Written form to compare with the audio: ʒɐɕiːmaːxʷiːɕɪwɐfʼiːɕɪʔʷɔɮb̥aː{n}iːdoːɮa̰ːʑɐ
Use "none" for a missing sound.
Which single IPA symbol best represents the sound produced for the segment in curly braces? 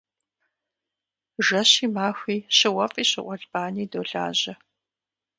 n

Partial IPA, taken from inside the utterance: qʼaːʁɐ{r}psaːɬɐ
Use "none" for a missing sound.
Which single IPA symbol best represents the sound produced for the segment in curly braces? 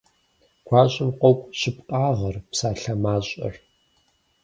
r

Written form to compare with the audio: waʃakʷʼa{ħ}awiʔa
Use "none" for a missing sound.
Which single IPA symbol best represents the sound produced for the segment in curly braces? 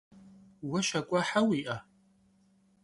ħ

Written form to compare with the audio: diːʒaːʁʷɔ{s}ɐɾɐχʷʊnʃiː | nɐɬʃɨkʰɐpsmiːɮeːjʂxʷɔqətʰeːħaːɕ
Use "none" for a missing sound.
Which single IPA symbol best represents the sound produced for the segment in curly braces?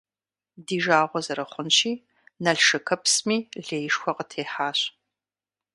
z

